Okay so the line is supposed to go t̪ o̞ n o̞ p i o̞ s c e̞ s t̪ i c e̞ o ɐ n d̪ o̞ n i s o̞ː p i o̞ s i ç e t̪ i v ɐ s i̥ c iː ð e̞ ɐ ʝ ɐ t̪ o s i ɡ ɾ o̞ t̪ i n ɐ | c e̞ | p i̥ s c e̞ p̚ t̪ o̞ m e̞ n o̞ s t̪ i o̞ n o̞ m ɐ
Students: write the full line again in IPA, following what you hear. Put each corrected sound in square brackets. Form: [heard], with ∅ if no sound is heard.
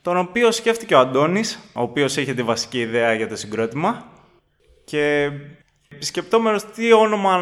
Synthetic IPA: t̪ o̞ n o̞ p i o̞ s c e̞ [f] t̪ i c e̞ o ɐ n d̪ o̞ n i s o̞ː p i o̞ s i ç e t̪ i v ɐ s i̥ c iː ð e̞ ɐ ʝ ɐ t̪ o s i ɡ ɾ o̞ t̪ i [m] ɐ | c e̞ | p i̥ s c e̞ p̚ t̪ o̞ m e̞ n o̞ s t̪ i o̞ n o̞ m ɐ